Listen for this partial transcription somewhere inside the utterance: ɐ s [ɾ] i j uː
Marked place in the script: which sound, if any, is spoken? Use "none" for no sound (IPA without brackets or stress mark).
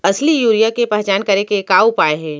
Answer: l